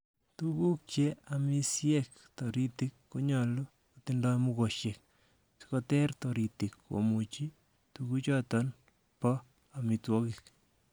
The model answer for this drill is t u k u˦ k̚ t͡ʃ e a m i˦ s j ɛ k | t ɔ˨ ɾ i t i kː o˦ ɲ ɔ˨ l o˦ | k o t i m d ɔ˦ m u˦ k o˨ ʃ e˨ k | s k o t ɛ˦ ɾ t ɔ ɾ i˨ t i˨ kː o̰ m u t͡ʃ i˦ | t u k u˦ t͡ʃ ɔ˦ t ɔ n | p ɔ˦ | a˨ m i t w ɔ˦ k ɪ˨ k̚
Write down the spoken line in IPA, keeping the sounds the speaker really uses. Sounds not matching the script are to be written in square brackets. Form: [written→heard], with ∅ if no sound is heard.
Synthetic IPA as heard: t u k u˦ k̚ t͡ʃ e a m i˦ s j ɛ k | t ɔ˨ ɾ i t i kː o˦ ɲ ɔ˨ l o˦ | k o t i [m→n] d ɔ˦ m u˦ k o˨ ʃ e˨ k | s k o t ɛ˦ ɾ t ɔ ɾ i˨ t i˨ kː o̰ m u t͡ʃ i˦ | t u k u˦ t͡ʃ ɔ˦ t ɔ n | p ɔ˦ | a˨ m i t w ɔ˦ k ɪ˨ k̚